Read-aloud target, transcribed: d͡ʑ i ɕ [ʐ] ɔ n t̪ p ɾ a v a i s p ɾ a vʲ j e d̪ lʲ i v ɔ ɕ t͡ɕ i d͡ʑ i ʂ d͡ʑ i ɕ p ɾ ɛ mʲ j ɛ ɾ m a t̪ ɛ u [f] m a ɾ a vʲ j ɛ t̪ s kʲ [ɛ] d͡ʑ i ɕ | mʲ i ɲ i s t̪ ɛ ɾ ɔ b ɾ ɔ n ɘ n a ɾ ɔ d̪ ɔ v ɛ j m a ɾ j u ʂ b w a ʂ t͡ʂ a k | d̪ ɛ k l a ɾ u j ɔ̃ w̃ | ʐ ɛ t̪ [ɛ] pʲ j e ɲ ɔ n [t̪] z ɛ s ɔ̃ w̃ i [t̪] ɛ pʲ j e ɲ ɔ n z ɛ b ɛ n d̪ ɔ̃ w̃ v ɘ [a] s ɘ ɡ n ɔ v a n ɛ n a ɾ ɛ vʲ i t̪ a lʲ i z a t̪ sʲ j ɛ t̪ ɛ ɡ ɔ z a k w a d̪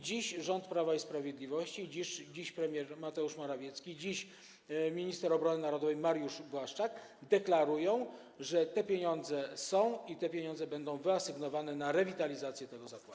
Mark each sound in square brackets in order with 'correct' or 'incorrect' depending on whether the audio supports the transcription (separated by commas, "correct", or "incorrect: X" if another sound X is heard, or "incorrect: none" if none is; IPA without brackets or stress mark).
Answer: correct, incorrect: ʂ, incorrect: i, correct, incorrect: d̪, correct, correct